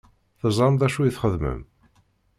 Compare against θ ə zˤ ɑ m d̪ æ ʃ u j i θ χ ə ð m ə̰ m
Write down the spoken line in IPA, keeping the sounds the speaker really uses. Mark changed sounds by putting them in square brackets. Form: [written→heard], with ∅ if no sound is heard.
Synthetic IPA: θ ə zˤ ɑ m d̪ æ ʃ u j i θ χ ə ð m ə̰ m

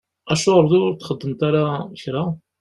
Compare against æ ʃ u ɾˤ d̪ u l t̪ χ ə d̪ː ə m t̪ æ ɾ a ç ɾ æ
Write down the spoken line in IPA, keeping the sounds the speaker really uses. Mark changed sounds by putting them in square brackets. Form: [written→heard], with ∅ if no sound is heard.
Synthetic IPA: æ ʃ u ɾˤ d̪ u [l→ɾ] t̪ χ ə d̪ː ə m t̪ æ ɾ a ç ɾ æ

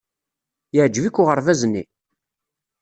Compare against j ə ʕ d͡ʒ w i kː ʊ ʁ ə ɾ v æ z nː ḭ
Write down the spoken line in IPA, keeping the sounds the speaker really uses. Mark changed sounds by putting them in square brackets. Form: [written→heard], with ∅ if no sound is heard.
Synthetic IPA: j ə ʕ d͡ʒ [w→v] i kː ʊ ʁ ə ɾ v æ z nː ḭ

